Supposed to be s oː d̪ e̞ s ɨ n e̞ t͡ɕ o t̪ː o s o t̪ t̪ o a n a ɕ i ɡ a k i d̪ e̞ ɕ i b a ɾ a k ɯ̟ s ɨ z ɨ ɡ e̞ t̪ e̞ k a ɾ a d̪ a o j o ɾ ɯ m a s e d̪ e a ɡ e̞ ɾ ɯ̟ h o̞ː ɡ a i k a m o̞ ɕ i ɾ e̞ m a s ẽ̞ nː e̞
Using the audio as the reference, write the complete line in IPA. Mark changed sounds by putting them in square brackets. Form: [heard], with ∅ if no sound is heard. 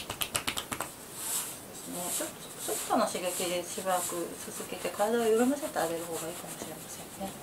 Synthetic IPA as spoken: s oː d̪ e̞ s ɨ n e̞ t͡ɕ o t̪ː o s o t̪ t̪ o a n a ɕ i ɡ a k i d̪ e̞ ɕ i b a ɾ a k ɯ̟ s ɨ z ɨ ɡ e̞ t̪ e̞ k a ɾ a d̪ a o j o ɾ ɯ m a s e [t̪] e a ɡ e̞ ɾ ɯ̟ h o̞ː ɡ a [iː] k a m o̞ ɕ i ɾ e̞ m a s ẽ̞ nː e̞